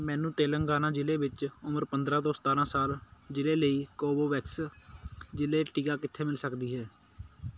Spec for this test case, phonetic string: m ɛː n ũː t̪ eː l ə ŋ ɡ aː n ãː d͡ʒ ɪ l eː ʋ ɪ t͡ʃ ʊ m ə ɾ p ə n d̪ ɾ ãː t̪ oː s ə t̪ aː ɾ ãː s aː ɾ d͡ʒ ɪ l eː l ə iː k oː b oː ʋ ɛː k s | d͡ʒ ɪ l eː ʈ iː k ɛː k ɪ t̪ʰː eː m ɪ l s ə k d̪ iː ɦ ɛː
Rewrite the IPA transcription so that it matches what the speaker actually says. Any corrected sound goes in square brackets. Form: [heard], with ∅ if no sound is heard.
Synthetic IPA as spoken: m ɛː n ũː t̪ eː l ə ŋ ɡ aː n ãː d͡ʒ ɪ l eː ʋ ɪ t͡ʃ ʊ m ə ɾ p ə n d̪ ɾ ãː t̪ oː s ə t̪ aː ɾ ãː s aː [l] d͡ʒ ɪ l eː l ə iː k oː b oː ʋ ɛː k s | d͡ʒ ɪ l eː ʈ iː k [aː] k ɪ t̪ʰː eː m ɪ l s ə k d̪ iː ɦ ɛː